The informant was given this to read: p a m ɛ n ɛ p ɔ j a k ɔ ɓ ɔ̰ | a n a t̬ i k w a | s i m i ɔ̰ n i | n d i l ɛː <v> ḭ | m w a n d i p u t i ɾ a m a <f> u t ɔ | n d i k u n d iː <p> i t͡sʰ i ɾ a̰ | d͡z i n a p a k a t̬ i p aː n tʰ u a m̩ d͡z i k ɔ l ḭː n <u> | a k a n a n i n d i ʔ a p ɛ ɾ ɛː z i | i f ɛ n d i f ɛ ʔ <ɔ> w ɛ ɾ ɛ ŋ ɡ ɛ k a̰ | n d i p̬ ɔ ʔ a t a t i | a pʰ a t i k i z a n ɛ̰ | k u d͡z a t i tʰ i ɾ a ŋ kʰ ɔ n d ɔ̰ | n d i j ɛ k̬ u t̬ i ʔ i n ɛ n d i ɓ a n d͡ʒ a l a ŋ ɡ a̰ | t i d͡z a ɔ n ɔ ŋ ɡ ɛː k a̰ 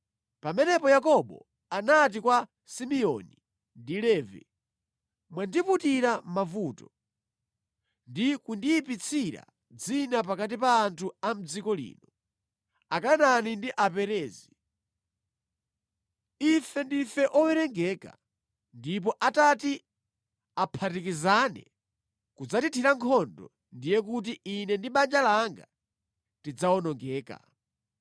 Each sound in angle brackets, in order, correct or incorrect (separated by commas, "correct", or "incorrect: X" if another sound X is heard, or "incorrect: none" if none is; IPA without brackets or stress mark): correct, incorrect: v, correct, incorrect: ɔ, correct